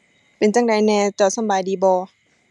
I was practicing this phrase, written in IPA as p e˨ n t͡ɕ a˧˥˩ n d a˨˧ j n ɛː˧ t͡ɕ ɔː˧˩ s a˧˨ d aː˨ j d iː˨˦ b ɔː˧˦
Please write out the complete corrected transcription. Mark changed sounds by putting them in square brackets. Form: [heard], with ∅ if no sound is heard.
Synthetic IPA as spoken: p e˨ n t͡ɕ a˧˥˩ [ŋ] d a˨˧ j n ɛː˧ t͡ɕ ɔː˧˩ s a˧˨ [b] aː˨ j d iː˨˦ b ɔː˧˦